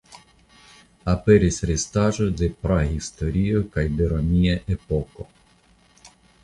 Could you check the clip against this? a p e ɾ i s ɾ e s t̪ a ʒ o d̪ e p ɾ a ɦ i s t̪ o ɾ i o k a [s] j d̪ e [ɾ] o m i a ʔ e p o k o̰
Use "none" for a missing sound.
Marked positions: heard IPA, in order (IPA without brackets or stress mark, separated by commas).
none, ɾ